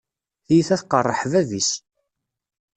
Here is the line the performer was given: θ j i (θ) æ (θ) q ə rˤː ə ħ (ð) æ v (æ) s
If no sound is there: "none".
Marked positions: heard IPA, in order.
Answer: θ, θ, v, i

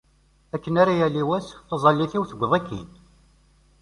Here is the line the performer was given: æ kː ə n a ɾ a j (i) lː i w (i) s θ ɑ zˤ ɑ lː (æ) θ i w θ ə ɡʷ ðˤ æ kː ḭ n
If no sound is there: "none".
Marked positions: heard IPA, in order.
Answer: æ, æ, i

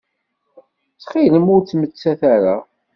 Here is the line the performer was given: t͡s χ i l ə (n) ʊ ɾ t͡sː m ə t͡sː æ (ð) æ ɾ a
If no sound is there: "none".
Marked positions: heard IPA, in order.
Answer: m, θ

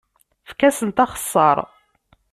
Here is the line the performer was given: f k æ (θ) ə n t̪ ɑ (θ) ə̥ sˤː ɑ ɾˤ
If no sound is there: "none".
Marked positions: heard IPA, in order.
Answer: s, χ

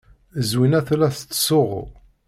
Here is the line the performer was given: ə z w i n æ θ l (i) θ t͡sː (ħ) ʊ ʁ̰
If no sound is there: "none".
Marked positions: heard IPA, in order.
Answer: æ, s

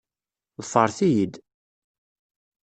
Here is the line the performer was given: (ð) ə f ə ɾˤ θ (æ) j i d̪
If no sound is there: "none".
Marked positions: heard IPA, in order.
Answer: ð, i

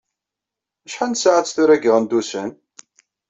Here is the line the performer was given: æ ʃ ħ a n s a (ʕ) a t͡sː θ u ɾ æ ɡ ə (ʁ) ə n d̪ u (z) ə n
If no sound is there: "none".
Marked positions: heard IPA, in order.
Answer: ʕ, ʁ, s

